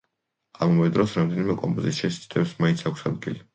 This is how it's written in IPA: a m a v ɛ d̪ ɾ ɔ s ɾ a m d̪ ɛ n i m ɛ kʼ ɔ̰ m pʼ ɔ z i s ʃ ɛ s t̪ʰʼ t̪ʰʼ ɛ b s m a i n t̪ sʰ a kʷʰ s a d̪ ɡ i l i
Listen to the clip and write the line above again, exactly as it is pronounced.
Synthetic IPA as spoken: a m a v ɛ d̪ ɾ ɔ s ɾ a m d̪ ɛ n i m ɛ kʼ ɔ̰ m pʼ ɔ z i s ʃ ɛ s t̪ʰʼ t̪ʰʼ ɛ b s m a i n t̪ sʰ a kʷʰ s a d̪ ɡ i l i